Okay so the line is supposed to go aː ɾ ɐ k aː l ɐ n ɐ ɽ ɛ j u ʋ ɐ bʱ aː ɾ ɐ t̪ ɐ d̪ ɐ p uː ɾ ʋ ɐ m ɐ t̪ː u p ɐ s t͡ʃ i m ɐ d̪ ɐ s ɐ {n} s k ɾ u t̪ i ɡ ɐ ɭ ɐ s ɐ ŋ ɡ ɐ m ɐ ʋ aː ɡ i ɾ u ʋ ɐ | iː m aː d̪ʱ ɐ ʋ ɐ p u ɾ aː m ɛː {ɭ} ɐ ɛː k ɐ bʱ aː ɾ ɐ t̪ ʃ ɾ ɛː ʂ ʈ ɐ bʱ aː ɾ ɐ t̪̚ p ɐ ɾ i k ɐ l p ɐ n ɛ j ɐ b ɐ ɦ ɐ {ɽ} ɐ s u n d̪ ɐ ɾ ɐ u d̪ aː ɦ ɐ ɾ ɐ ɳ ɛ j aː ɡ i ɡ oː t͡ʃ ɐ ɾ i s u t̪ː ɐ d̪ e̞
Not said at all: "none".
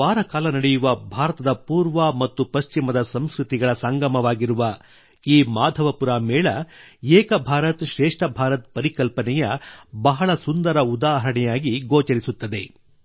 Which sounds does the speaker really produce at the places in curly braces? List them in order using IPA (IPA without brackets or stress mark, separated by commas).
m, ɭ, ɭ